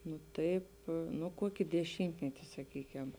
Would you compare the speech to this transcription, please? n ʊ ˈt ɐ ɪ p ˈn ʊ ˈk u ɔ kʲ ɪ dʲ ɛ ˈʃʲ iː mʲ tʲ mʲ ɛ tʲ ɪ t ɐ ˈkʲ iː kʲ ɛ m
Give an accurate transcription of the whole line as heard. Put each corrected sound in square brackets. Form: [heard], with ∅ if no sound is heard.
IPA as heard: n ʊ ˈt ɐ ɪ p ˈn ʊ ˈk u ɔ kʲ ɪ dʲ ɛ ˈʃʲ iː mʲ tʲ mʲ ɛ tʲ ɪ [s] ɐ ˈkʲ iː kʲ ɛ m

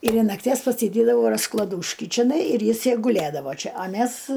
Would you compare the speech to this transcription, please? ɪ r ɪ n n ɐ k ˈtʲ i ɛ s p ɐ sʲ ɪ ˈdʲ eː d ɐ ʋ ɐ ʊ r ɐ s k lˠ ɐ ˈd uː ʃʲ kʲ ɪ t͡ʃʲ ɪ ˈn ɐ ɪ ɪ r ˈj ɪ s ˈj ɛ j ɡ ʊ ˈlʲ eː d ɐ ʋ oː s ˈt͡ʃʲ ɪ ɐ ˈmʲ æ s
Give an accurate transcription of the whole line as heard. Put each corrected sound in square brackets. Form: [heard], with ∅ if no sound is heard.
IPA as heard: ɪ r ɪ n n ɐ k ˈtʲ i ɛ s p ɐ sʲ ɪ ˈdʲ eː d ɐ ʋ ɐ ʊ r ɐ s k lˠ ɐ ˈd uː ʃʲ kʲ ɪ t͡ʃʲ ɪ ˈn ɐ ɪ ɪ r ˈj ɪ s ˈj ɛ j ɡ ʊ ˈlʲ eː d ɐ ʋ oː [∅] ˈt͡ʃʲ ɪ ɐ ˈmʲ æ s

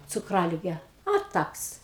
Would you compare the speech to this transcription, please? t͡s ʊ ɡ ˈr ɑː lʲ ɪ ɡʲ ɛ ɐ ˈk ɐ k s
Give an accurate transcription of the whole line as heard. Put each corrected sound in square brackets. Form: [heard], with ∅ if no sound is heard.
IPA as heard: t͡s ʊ [k] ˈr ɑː lʲ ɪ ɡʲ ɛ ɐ [ˈt] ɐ k s

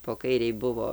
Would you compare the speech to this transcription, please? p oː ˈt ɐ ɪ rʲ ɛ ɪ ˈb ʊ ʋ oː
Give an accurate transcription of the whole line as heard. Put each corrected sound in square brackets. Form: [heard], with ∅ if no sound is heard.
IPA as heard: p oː [ˈk] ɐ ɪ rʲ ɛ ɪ ˈb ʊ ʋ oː

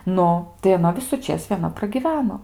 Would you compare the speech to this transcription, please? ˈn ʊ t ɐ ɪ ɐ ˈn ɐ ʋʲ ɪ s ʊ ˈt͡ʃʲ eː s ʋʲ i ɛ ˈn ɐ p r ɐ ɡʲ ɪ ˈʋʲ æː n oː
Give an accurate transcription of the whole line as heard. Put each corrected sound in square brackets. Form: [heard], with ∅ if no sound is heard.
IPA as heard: ˈn ʊ t ɐ ɪ ɐ ˈn ɐ ʋʲ ɪ s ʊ ˈt͡ʃʲ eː s ʋʲ i ɛ ˈn ɐ p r ɐ ɡʲ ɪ ˈʋʲ æː n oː

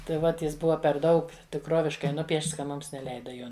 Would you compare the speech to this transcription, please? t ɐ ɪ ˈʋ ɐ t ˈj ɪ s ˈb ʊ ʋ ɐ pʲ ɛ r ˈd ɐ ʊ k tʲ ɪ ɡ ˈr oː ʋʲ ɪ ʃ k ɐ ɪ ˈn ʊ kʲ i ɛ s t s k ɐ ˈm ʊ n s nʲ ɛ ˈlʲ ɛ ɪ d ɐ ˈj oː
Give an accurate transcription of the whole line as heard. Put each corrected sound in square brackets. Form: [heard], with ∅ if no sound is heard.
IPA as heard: t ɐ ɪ ˈʋ ɐ t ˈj ɪ s ˈb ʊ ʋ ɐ pʲ ɛ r ˈd ɐ ʊ k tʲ ɪ [k] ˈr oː ʋʲ ɪ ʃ k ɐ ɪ ˈn ʊ [pʲ] i ɛ [ʃ] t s k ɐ ˈm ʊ [m] s nʲ ɛ ˈlʲ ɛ ɪ d ɐ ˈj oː

